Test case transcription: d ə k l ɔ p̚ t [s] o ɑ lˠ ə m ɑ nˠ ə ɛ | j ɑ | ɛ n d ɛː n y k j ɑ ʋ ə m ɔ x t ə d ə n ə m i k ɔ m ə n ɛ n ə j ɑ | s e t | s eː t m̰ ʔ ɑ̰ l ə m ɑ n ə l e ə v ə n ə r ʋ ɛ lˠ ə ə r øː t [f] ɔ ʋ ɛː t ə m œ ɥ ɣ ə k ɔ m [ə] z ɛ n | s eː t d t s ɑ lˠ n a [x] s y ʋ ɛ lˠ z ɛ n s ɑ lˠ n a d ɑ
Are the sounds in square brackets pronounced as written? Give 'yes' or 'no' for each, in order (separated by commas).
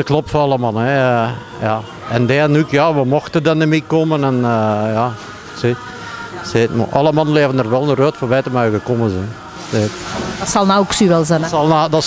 no, yes, yes, no